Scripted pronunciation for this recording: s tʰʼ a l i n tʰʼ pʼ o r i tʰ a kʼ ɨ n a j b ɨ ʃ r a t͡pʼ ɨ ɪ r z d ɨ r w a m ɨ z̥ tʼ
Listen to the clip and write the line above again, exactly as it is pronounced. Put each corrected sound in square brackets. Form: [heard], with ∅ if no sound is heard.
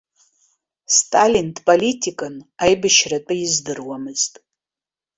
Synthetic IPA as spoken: s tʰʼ a l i n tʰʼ pʼ o [l] i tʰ [i] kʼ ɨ n a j b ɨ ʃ r a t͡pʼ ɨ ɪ [∅] z d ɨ r w a m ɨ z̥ tʼ